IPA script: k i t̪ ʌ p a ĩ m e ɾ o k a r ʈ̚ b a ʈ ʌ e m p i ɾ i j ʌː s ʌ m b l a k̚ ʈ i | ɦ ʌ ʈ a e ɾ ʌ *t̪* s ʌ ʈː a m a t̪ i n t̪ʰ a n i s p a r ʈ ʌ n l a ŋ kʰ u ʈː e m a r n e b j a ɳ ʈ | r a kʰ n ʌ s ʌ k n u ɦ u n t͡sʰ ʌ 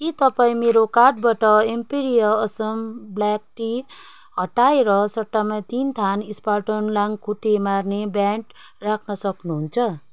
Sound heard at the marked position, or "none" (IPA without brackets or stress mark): none